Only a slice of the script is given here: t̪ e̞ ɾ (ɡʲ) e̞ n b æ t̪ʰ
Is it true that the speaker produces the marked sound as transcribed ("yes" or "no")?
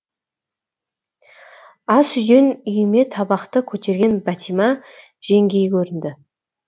yes